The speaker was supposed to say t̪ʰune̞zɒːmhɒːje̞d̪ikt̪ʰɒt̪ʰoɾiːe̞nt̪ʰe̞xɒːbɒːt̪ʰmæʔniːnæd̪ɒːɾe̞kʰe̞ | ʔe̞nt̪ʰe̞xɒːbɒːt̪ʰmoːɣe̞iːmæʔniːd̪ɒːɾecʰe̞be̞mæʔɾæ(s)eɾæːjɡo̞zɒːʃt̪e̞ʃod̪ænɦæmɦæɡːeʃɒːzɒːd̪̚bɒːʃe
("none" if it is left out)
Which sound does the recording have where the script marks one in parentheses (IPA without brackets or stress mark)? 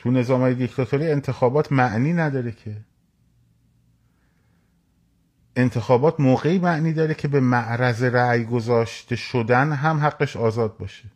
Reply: z